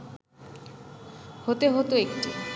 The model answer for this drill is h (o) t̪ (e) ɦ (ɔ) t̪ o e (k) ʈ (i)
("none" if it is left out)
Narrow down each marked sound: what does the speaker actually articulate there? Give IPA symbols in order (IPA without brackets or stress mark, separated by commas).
o, e, o, k, i